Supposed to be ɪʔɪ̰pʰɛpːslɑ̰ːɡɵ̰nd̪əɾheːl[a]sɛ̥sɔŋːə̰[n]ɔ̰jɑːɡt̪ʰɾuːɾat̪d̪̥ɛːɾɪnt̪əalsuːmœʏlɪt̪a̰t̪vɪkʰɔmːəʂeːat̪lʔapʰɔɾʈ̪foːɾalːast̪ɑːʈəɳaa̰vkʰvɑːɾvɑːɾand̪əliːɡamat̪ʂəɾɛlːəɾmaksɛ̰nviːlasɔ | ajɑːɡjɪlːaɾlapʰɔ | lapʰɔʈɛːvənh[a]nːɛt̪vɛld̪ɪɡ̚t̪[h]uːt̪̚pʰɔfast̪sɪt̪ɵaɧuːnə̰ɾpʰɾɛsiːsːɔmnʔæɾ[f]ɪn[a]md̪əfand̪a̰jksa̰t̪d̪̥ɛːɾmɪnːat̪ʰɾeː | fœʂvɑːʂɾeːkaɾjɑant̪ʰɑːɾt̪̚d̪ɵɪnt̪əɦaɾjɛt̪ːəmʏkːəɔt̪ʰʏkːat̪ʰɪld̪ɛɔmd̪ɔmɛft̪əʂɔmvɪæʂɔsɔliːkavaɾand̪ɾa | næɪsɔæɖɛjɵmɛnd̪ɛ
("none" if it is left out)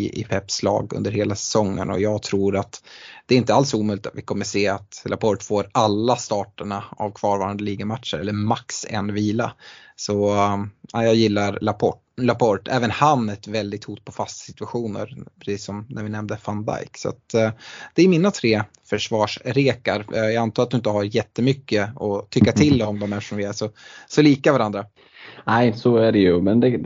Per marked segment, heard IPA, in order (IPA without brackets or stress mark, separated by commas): a, n, a, h, v, ɛ